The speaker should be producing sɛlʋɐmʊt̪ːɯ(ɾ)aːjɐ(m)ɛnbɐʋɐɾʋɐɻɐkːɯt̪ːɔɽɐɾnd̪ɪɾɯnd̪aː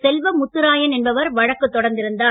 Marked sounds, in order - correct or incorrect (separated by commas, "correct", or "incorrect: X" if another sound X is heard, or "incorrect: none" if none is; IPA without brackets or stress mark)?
correct, incorrect: n